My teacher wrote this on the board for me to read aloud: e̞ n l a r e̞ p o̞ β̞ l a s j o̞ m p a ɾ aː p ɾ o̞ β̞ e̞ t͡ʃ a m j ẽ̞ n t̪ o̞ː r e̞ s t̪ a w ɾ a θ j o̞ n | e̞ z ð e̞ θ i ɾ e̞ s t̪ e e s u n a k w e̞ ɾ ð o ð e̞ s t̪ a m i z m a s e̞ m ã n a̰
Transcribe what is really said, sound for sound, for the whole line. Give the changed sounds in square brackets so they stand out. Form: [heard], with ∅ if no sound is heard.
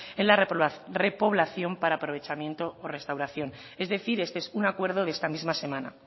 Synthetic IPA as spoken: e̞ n l a r e̞ p o̞ β̞ l a [θ] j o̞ m p a ɾ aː p ɾ o̞ β̞ e̞ t͡ʃ a m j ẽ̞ n t̪ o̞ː r e̞ s t̪ a w ɾ a θ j o̞ n | e̞ z ð e̞ θ i ɾ e̞ s t̪ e e s u n a k w e̞ ɾ ð o ð e̞ s t̪ a m i z m a s e̞ m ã n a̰